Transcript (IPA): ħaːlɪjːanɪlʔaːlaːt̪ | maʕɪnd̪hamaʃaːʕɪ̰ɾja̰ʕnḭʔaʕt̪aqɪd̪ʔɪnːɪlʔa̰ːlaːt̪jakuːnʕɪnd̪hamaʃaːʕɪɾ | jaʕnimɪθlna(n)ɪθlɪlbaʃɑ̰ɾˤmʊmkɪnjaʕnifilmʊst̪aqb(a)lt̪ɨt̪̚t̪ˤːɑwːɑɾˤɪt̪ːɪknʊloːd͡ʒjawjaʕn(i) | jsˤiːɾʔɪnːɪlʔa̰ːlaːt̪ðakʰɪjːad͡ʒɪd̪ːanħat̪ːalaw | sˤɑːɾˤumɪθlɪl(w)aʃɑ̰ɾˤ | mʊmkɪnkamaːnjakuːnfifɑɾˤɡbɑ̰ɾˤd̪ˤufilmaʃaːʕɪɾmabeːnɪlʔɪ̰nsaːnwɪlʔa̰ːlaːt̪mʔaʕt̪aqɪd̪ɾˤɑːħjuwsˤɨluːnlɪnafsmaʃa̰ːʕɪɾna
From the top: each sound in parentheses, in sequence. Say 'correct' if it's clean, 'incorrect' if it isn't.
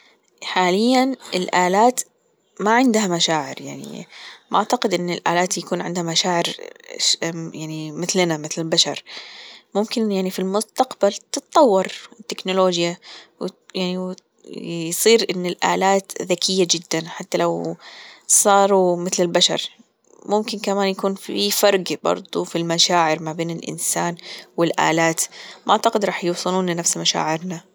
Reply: incorrect, correct, correct, incorrect

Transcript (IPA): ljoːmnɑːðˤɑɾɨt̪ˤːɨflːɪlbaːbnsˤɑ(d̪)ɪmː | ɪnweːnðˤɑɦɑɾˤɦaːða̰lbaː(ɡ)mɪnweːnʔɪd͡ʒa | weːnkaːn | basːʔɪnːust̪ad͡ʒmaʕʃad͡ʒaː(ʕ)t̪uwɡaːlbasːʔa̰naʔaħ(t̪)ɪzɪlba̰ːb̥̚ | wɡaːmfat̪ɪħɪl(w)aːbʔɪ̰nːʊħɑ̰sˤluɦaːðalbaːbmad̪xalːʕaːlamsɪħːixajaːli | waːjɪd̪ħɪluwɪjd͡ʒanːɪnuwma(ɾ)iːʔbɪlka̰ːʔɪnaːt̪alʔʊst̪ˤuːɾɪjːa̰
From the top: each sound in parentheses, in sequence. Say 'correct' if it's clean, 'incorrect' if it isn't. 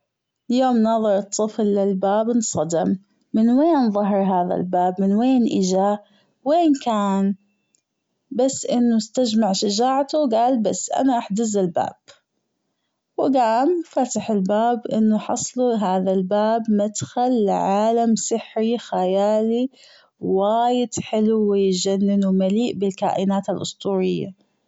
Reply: correct, incorrect, correct, incorrect, incorrect, incorrect

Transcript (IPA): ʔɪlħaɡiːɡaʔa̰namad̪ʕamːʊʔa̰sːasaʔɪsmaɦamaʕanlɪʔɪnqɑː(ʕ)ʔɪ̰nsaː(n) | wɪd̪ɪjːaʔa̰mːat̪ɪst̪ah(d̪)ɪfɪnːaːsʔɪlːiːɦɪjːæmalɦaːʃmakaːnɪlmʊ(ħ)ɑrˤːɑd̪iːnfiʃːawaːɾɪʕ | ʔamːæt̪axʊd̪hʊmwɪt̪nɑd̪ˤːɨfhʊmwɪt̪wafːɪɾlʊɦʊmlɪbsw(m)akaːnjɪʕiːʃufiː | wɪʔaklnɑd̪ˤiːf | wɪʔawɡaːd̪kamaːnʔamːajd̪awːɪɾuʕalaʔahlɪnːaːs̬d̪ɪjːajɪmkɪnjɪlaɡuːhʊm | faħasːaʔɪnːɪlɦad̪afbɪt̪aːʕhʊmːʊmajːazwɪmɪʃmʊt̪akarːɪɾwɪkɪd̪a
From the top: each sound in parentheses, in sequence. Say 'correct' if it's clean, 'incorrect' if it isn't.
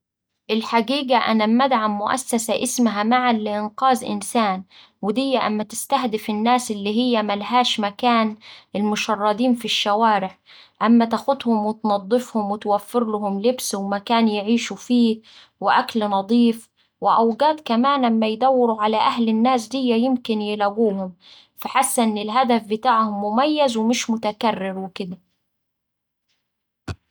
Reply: incorrect, correct, correct, incorrect, correct

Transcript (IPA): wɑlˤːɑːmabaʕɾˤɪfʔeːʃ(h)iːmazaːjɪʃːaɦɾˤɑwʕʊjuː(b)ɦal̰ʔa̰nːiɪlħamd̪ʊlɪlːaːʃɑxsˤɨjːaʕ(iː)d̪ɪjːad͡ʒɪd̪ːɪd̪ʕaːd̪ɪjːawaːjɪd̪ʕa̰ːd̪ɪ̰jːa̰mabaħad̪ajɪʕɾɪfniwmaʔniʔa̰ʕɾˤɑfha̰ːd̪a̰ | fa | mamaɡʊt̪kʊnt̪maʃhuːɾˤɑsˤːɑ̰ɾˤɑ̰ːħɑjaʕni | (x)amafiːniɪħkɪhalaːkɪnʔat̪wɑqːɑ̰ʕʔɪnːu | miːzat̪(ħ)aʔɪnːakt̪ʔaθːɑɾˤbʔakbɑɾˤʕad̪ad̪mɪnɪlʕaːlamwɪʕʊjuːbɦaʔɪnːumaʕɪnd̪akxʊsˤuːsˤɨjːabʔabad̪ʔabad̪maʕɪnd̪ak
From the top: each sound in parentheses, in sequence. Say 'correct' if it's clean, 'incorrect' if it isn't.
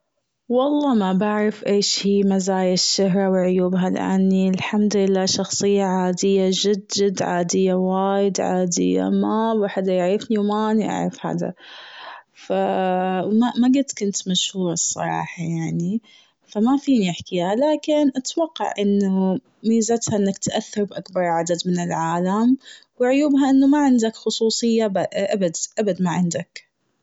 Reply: correct, correct, incorrect, incorrect, incorrect

